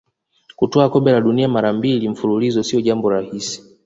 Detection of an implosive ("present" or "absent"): present